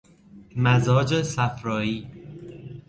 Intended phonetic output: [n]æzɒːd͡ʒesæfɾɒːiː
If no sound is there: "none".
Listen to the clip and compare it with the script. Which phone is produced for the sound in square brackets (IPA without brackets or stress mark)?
m